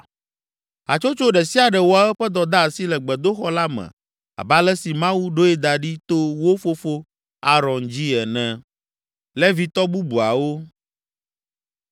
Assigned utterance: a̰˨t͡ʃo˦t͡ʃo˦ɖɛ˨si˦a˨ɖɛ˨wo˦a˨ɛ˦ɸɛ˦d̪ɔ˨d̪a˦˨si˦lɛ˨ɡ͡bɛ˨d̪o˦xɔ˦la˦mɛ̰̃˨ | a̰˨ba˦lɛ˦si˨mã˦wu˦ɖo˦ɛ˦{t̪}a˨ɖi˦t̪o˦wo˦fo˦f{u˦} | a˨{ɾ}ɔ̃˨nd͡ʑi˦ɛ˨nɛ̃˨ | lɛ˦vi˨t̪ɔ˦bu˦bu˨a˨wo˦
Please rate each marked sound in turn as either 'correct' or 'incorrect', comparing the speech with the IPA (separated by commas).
incorrect, incorrect, correct